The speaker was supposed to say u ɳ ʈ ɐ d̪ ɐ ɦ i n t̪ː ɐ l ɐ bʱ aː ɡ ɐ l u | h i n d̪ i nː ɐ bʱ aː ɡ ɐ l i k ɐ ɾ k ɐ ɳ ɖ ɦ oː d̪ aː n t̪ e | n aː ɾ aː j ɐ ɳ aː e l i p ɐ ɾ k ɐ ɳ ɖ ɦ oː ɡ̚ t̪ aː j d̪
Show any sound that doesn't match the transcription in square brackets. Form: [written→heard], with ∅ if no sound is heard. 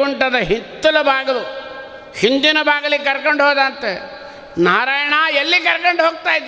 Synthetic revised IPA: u ɳ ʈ ɐ d̪ ɐ ɦ i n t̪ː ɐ l ɐ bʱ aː ɡ ɐ l u | h i n d̪ i [nː→n] ɐ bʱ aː ɡ ɐ l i k ɐ ɾ k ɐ ɳ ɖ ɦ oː d̪ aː n t̪ e | n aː ɾ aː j ɐ ɳ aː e [l→lː] i [p→k] ɐ ɾ k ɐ ɳ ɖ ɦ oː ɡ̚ t̪ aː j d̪